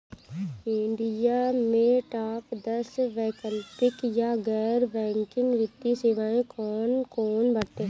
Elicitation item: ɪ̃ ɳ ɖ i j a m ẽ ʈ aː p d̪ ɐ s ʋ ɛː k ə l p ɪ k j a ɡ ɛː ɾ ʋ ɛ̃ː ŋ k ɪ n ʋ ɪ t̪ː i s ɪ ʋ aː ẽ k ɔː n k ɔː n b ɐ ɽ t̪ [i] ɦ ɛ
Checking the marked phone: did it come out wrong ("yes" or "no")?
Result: yes